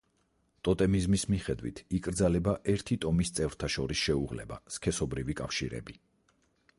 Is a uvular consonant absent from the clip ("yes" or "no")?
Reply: no